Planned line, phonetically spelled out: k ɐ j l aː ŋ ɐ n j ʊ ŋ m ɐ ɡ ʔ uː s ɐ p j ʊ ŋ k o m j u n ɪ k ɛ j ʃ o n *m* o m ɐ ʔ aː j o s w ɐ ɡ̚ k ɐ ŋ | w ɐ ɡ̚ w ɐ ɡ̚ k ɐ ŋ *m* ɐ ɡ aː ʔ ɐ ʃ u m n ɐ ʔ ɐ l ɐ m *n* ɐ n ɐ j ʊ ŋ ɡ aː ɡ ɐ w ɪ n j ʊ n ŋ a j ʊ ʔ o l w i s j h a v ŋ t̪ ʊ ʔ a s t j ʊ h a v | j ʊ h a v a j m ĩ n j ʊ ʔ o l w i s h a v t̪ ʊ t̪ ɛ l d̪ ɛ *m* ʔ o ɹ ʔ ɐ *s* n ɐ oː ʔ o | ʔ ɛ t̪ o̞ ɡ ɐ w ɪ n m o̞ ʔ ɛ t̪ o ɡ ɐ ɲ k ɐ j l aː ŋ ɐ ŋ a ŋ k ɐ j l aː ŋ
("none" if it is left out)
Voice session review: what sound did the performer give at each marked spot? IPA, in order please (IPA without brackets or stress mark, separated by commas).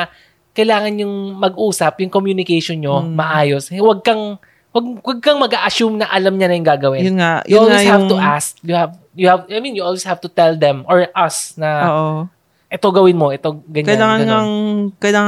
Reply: ɲ, m, ɲ, m, s